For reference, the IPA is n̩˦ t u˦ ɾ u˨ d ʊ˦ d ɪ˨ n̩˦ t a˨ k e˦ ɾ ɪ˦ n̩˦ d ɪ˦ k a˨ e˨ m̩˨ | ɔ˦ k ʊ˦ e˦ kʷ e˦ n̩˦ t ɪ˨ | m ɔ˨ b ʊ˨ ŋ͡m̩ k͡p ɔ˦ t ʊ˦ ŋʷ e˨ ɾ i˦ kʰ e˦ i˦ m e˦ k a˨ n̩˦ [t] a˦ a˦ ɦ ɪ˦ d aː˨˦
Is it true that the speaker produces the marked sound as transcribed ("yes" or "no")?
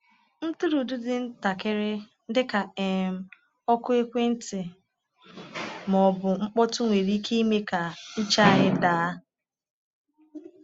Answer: no